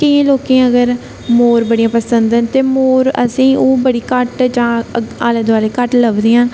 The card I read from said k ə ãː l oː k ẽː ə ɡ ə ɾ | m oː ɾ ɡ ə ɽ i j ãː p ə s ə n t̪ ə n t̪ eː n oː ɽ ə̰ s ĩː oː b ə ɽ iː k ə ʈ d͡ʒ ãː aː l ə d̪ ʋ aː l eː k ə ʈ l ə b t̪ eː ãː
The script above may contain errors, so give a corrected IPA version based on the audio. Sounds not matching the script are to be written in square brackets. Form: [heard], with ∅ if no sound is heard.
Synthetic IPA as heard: k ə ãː l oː k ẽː ə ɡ ə ɾ | m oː ɾ [b] ə ɽ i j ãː p ə s ə n [d̪] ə n t̪ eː [m] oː [ɾ] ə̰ s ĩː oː b ə ɽ iː k ə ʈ d͡ʒ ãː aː l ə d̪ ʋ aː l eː k ə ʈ l ə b [d̪] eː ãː